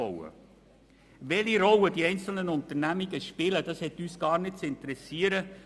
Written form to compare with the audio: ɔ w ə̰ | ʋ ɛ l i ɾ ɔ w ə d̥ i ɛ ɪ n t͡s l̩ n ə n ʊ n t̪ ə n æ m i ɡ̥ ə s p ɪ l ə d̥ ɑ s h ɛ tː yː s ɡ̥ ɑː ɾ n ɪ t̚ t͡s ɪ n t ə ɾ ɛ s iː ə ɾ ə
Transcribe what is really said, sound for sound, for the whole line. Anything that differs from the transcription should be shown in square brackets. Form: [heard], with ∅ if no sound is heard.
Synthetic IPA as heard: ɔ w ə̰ | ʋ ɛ l i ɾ ɔ w ə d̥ i ɛ ɪ n t͡s l̩ n ə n ʊ n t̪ ə n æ m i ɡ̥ ə [ʃ] p ɪ l ə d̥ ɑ s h ɛ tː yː s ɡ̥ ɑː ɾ n ɪ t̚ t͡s ɪ n t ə ɾ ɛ s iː ə ɾ ə